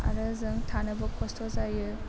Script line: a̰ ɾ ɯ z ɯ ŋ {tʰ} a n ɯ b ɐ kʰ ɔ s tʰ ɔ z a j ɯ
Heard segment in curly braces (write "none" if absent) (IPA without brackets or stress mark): tʰ